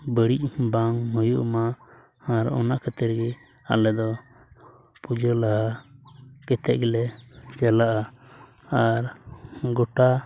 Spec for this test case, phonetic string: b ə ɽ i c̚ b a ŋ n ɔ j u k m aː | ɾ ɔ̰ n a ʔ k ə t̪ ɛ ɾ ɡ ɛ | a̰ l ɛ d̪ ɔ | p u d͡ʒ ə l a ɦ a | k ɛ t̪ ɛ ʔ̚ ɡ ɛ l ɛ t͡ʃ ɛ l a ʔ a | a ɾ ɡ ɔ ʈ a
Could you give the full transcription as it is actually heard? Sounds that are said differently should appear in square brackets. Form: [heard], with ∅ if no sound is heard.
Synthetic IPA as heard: b ə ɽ i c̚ b a ŋ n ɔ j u [ʔ] m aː | ɾ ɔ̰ n a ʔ k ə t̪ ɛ ɾ ɡ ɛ | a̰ l ɛ d̪ ɔ | p u d͡ʒ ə l a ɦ a | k ɛ t̪ ɛ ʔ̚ ɡ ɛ l ɛ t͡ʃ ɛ l a ʔ a | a ɾ ɡ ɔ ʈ a